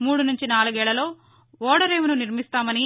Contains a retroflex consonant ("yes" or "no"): yes